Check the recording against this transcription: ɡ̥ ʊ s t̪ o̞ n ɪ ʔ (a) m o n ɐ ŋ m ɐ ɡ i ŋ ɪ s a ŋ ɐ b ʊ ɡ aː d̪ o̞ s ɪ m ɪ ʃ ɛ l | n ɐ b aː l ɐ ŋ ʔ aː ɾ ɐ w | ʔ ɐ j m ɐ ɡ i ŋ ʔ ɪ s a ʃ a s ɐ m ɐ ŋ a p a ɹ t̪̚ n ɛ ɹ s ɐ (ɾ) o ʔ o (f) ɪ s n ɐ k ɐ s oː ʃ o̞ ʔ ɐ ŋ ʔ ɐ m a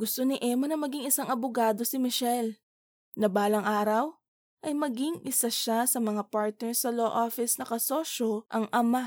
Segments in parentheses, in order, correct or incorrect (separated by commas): incorrect, incorrect, correct